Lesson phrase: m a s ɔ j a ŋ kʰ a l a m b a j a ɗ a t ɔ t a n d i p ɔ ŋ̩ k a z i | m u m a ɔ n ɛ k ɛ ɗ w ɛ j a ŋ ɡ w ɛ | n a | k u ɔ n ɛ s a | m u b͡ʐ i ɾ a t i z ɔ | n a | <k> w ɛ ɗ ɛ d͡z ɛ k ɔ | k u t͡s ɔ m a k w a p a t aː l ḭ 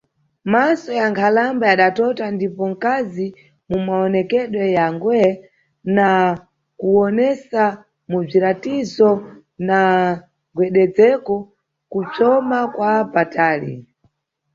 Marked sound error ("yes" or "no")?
yes